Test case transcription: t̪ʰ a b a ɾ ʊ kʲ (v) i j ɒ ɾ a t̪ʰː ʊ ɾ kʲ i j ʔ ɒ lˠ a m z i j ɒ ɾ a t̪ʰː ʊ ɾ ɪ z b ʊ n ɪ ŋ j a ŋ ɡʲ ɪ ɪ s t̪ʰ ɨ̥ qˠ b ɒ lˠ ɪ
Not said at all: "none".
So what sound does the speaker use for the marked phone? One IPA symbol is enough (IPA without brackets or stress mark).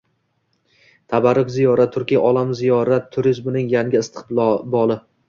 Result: z